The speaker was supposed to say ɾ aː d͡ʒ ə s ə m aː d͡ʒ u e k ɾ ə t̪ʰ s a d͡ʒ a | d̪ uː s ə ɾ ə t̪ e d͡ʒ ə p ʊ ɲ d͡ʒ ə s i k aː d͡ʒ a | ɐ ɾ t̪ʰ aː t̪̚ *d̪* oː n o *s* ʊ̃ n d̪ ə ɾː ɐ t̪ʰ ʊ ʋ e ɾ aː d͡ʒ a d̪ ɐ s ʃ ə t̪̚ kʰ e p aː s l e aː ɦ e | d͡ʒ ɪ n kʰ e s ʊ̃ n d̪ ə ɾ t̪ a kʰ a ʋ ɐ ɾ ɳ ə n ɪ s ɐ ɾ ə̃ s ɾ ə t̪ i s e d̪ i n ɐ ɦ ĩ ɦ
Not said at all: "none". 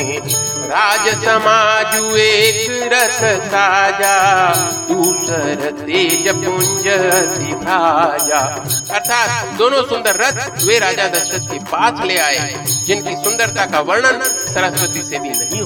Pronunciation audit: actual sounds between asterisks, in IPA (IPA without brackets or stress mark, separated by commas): d̪, s